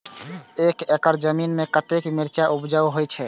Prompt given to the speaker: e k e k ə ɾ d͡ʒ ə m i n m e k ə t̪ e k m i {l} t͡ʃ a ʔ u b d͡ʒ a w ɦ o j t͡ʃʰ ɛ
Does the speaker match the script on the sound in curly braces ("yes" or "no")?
no